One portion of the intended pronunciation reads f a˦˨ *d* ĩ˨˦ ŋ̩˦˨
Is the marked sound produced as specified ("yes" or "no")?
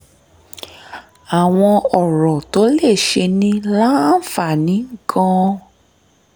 no